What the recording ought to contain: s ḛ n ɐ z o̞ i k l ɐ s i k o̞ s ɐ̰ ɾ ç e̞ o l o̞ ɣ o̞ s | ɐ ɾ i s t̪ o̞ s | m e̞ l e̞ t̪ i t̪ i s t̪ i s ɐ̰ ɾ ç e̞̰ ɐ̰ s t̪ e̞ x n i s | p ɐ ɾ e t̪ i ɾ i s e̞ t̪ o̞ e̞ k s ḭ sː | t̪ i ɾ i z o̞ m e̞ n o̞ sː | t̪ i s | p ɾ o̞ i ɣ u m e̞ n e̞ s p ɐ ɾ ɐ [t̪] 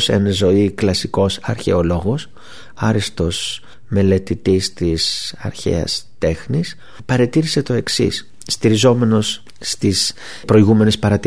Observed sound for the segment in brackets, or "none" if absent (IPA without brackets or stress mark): t̪